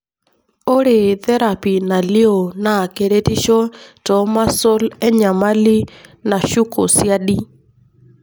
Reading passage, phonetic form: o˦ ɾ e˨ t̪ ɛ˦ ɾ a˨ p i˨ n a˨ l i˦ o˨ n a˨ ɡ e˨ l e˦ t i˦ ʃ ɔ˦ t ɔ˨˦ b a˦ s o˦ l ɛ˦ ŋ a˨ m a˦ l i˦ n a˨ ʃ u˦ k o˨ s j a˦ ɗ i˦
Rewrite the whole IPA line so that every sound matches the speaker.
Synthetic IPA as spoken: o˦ ɾ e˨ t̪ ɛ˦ ɾ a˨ p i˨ n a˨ l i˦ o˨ n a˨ k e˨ ɾ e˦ t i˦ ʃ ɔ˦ t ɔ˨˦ m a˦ s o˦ l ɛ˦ ɲ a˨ m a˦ l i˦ n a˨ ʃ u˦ k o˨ s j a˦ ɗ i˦